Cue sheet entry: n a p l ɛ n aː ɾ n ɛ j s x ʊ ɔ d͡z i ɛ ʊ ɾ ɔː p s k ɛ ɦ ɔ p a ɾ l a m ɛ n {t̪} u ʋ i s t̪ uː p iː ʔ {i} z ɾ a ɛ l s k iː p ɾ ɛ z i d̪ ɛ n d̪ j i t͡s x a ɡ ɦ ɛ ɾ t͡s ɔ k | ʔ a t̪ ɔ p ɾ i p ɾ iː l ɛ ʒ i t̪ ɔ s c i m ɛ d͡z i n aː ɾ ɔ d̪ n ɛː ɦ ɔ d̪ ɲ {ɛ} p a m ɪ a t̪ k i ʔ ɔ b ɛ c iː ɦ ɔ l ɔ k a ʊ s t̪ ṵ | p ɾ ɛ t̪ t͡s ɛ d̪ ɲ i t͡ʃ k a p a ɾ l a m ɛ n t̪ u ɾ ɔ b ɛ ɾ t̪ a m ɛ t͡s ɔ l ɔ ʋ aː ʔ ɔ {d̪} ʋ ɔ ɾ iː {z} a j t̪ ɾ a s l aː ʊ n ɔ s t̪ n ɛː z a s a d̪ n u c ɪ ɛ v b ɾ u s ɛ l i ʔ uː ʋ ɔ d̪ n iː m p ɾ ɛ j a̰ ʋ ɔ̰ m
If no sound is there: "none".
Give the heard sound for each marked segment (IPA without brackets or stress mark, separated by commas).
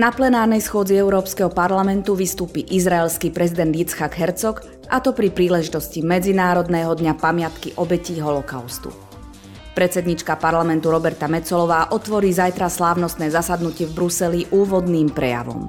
t̪, i, a, t̪, z